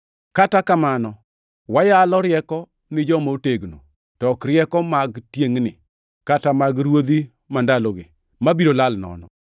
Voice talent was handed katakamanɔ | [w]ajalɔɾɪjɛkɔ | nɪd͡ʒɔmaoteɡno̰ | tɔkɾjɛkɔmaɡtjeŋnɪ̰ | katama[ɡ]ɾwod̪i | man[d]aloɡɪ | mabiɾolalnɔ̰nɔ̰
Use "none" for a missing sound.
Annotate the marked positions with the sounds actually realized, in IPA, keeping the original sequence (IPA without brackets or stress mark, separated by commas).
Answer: w, ɡ, d